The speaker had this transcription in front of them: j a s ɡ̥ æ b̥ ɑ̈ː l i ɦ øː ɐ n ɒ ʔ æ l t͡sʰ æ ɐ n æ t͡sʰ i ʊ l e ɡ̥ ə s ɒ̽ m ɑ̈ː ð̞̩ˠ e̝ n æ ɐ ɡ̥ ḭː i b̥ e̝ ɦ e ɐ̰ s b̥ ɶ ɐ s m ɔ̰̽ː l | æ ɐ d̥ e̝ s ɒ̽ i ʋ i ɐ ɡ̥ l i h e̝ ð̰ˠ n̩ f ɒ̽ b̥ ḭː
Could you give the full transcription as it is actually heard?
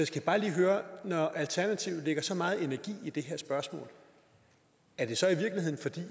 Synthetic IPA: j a s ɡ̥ æ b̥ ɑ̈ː l iː ɦ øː ɐ n ɒ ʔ æ l t͡sʰ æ ɐ n æ t͡sʰ i ʊ l e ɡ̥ ɐ s ɒ̽ m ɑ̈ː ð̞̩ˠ e̝ n æ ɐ ɡ̥ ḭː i d̥ e̝ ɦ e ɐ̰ s b̥ ɶ ɐ s m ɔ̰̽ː l | æ ɐ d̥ e̝ s ɒ̽ i ʋ i ɐ ɡ̥ l i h e̝ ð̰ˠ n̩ f ɒ̽ d̥ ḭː